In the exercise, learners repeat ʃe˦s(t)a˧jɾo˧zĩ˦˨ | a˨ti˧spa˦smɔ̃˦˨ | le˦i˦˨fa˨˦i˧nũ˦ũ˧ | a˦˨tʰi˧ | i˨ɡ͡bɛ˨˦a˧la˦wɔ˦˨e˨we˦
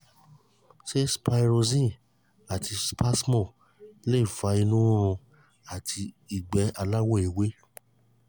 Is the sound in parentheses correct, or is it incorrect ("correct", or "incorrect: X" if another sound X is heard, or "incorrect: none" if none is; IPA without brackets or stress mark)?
incorrect: p